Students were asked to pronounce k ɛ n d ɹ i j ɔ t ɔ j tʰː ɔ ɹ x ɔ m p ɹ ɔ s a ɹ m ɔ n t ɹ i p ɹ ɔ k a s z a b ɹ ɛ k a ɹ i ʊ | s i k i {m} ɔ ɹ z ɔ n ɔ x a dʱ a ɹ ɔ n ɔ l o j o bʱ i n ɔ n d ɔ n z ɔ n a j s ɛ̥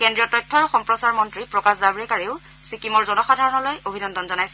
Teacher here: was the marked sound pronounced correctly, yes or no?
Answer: yes